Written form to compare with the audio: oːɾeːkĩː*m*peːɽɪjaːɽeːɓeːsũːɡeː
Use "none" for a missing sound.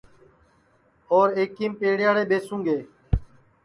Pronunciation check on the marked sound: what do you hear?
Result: m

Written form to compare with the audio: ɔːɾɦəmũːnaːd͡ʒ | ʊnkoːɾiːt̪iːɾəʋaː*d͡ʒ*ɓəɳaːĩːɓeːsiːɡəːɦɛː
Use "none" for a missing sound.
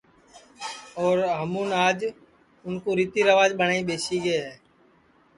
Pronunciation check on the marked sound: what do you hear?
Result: d͡ʒ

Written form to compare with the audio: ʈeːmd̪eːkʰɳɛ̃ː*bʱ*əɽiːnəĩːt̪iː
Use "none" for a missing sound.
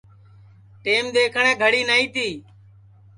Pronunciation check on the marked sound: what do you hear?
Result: ɡʱ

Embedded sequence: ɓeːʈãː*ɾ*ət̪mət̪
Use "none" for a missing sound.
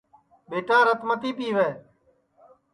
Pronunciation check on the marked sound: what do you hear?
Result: ɾ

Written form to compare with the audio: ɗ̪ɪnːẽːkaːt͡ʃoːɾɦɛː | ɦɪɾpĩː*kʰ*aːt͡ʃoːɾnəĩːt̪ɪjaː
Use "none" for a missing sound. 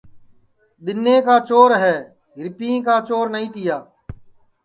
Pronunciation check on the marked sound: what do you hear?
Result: k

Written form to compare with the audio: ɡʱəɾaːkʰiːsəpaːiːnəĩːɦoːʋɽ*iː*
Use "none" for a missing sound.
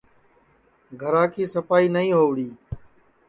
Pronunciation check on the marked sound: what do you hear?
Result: iː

